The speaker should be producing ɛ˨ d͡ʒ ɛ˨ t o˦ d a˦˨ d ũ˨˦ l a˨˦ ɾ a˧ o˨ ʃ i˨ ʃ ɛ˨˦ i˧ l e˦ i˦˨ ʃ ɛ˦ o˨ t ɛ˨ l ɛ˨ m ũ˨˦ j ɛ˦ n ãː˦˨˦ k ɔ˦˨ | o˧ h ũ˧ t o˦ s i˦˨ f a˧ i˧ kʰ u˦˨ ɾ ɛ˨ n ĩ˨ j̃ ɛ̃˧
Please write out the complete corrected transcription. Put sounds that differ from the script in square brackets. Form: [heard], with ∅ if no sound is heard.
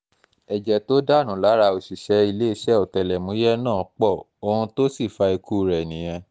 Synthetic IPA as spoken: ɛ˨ d͡ʒ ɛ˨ t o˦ d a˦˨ [n] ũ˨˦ l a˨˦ ɾ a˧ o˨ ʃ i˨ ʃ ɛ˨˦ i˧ l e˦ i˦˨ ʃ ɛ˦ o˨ t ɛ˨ l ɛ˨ m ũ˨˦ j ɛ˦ n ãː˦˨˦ [k͡p] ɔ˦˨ | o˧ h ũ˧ t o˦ s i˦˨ f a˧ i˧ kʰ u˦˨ ɾ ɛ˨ n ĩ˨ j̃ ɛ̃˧